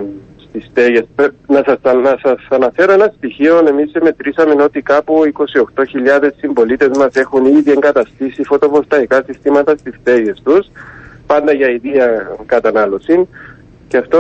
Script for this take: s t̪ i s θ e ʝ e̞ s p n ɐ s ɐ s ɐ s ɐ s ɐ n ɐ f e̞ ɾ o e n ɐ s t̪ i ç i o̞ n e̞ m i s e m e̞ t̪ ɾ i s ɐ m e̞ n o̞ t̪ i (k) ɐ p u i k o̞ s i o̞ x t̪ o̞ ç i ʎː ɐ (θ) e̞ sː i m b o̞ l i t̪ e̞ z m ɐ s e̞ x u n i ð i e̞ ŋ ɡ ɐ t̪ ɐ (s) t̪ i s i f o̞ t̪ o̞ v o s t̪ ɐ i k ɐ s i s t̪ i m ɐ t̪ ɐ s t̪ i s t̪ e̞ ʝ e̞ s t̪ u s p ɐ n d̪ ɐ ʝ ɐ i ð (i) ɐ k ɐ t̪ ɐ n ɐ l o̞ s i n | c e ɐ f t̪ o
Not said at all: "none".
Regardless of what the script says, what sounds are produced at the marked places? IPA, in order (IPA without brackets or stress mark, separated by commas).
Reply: k, ð, s, i